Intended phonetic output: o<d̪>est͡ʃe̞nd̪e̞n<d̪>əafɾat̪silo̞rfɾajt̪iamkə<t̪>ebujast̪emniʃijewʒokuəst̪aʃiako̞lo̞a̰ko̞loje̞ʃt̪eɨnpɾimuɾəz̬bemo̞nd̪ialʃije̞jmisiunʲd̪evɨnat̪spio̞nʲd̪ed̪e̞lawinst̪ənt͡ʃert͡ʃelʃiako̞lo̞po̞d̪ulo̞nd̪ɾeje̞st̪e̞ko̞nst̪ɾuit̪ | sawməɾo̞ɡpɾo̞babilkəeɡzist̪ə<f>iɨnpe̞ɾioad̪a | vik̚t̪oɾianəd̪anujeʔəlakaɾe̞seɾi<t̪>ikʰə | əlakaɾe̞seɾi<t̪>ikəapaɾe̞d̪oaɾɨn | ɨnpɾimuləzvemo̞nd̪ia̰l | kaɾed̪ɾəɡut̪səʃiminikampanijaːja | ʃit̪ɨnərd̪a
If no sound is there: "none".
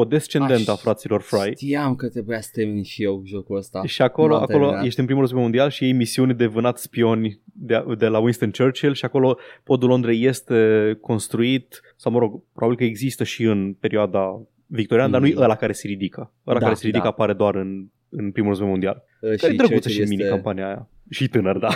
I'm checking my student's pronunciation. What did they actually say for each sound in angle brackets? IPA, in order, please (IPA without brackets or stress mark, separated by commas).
d̪, t̪, t̪, ʃ, d̪, d̪